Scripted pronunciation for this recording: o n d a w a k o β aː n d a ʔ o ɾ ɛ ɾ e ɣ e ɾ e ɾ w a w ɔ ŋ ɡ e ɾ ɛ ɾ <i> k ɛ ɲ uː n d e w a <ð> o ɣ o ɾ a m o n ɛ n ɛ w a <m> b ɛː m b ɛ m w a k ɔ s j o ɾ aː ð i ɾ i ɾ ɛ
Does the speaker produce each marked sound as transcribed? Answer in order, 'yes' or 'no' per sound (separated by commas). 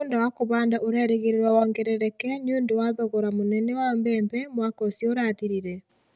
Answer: no, yes, yes